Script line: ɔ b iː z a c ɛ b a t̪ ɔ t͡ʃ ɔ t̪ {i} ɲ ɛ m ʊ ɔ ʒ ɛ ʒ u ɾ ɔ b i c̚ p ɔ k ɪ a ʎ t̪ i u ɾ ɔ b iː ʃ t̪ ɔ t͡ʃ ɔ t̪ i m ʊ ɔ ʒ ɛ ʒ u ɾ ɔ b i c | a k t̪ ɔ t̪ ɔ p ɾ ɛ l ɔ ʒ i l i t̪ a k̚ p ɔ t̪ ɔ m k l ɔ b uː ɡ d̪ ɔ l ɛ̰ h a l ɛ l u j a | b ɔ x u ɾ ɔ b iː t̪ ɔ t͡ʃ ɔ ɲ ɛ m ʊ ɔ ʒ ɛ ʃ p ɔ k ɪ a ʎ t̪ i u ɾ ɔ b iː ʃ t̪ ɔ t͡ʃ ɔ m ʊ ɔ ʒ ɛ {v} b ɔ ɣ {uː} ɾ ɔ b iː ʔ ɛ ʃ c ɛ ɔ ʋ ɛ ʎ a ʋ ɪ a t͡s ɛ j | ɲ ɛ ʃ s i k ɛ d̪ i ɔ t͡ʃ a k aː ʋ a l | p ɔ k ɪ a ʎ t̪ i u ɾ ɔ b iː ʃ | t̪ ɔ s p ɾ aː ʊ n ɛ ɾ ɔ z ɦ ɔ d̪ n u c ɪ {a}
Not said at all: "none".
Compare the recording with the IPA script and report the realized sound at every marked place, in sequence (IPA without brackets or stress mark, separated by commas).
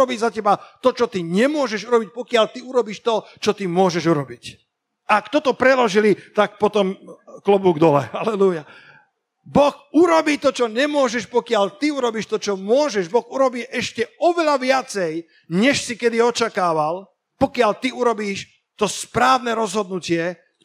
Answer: i, ʒ, u, ɛ